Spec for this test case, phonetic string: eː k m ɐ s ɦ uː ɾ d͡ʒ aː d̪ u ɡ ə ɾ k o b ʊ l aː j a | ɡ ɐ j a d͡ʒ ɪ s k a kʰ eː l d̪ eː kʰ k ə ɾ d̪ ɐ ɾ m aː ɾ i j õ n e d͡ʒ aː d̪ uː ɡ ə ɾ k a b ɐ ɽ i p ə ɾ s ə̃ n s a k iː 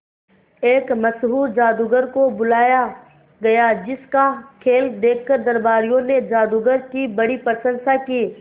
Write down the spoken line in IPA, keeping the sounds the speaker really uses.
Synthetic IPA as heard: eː k m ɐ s ɦ uː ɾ d͡ʒ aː d̪ u ɡ ə ɾ k o b ʊ l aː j a | ɡ ɐ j a d͡ʒ ɪ s k a kʰ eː l d̪ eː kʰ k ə ɾ d̪ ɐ ɾ b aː ɾ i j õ n e d͡ʒ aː d̪ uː ɡ ə ɾ k i b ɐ ɽ i p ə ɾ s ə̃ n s a k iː